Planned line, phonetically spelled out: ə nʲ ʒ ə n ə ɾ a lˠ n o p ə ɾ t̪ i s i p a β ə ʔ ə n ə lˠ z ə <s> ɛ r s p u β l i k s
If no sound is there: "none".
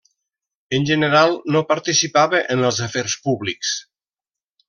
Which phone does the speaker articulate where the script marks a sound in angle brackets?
f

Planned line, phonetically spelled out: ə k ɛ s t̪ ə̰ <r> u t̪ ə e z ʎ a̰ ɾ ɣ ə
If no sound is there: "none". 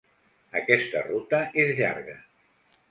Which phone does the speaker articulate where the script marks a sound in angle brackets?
r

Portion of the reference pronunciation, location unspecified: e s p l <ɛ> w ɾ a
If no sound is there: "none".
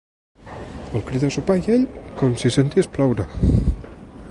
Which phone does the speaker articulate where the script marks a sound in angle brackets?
a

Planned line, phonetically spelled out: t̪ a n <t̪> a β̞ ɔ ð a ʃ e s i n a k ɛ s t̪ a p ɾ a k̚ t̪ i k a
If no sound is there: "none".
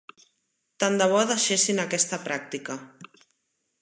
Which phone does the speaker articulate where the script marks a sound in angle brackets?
d̪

